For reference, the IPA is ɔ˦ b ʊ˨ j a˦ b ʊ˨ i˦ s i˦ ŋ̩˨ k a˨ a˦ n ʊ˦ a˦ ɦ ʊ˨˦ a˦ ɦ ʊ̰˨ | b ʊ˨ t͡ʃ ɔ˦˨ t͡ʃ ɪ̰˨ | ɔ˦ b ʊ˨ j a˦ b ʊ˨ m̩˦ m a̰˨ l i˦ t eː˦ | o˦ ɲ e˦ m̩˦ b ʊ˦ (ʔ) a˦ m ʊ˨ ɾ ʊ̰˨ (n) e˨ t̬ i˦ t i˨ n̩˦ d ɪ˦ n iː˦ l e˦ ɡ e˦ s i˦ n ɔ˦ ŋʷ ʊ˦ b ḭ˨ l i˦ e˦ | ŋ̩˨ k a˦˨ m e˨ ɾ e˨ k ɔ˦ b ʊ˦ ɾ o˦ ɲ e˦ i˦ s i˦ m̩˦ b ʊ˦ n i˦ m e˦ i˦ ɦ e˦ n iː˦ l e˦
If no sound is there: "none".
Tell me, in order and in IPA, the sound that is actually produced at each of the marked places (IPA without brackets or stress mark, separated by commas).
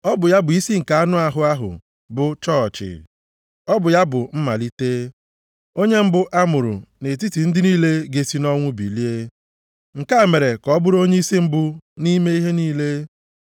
ʔ, n